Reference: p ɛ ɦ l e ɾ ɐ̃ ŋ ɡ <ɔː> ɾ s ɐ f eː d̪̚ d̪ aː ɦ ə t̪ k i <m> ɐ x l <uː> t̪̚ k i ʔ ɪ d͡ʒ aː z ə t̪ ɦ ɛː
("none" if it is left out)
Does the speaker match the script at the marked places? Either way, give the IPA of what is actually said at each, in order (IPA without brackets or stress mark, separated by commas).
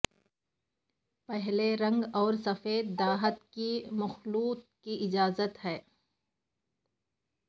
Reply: ɔː, m, uː